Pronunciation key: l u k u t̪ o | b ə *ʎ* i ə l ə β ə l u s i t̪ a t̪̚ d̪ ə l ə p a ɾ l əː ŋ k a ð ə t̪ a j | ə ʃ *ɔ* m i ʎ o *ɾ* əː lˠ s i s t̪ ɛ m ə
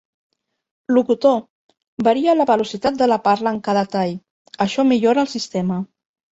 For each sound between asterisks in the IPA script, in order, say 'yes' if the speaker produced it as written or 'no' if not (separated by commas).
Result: no, yes, yes